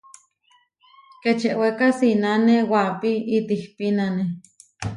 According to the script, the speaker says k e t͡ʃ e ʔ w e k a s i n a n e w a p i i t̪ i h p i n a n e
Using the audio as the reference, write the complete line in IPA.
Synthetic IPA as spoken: k e t͡ʃ e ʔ w e k a s i n a n e w a p i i t̪ i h p i n a n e